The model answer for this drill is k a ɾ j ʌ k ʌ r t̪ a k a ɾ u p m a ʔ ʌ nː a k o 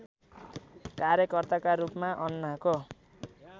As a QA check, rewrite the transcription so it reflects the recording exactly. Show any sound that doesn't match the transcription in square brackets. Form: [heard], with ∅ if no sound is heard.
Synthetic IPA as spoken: k a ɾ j ʌ k ʌ r t̪ a k a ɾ u p m a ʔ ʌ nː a k o